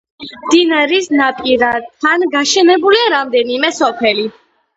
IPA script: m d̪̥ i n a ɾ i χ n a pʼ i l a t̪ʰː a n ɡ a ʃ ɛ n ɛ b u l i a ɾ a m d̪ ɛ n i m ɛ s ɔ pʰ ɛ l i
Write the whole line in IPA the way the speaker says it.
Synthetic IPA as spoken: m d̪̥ i n a ɾ i s n a pʼ i ɾ a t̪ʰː a n ɡ a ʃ ɛ n ɛ b u l i a ɾ a m d̪ ɛ n i m ɛ s ɔ pʰ ɛ l i